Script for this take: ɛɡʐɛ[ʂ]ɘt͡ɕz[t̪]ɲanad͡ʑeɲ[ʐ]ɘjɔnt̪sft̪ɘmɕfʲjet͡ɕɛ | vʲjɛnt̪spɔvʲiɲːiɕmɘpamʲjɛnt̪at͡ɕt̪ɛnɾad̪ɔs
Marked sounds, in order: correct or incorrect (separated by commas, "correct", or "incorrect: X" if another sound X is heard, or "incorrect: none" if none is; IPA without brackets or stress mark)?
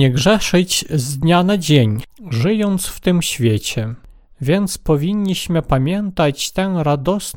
correct, incorrect: d̪, correct